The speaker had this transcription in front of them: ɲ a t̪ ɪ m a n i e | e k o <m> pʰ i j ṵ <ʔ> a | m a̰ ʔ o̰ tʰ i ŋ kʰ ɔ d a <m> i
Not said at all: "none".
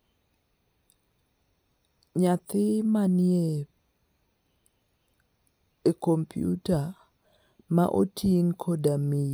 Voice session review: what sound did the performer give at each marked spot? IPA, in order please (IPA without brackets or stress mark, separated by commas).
m, t, m